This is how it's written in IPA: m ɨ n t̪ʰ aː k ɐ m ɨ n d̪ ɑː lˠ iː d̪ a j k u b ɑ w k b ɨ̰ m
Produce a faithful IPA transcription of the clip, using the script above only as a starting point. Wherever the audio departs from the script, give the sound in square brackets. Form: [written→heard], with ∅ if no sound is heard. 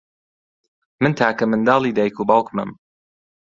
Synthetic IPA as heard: m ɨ n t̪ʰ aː k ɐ m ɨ n d̪ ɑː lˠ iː d̪ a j k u b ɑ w k [b→m] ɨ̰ m